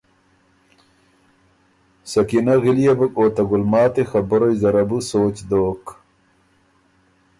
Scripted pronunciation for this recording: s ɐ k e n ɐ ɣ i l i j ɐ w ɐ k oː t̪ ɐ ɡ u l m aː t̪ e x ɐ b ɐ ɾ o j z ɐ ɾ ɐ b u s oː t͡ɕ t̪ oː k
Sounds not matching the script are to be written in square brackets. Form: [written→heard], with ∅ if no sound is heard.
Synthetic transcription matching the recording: s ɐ k [e→i] n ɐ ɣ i l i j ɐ [w→b] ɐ k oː t̪ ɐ ɡ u l m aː t̪ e x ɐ b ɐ ɾ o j z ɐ ɾ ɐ b u s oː t͡ɕ [t̪→d̪] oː k